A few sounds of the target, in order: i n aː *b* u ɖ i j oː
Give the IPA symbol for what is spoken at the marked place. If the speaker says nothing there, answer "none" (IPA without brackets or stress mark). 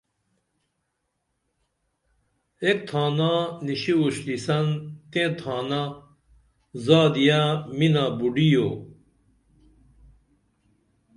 b